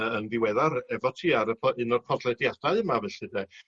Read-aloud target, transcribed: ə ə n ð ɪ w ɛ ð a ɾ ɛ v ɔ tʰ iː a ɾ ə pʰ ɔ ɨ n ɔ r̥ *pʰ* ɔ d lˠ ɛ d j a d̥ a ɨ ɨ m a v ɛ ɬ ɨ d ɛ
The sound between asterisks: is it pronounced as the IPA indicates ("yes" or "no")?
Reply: yes